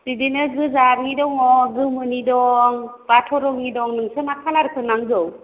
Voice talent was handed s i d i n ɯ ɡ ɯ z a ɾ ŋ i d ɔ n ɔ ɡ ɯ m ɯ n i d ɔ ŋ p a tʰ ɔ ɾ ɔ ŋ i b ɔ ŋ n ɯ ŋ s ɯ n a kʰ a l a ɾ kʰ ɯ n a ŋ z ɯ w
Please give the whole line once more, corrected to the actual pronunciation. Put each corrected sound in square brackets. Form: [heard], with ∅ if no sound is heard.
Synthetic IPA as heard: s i d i n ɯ ɡ ɯ z a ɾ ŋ i d ɔ [ŋ] ɔ ɡ ɯ m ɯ n i d ɔ ŋ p a tʰ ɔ ɾ ɔ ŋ i [d] ɔ ŋ n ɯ ŋ s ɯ n a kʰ a l a ɾ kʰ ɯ n a ŋ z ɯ w